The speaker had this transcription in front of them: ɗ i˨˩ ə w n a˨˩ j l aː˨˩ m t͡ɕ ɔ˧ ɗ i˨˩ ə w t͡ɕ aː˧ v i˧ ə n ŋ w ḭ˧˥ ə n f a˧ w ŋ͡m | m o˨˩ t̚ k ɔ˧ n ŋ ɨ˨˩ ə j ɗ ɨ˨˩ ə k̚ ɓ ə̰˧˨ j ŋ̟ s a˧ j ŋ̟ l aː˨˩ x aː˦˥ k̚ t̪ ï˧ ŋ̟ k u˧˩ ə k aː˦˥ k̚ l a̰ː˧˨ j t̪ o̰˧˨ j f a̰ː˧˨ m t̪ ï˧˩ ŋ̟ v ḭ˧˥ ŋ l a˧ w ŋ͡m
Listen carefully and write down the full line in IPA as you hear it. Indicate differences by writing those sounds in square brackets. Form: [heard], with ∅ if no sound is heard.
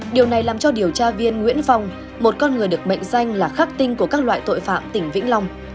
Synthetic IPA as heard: ɗ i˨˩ ə w n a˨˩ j l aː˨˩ m t͡ɕ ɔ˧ ɗ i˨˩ ə w t͡ɕ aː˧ v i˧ ə n ŋ w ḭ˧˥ ə n f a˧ w ŋ͡m | m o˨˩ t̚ k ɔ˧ n ŋ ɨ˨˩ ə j ɗ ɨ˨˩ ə k̚ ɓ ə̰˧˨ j ŋ̟ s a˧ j ŋ̟ l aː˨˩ x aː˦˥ k̚ t̪ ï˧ ŋ̟ k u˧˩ ə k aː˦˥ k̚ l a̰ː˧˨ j t̪ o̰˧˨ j f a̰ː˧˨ m t̪ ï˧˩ ŋ̟ v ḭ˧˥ ŋ l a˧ w ŋ͡m